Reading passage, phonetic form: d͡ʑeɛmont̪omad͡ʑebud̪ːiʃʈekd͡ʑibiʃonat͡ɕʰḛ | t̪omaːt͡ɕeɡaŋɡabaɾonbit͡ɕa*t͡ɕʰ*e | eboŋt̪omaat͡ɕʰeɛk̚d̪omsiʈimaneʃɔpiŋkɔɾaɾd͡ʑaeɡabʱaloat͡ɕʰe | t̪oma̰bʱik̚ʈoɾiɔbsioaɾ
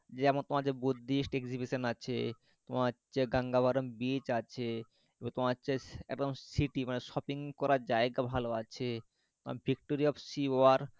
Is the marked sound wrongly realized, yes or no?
no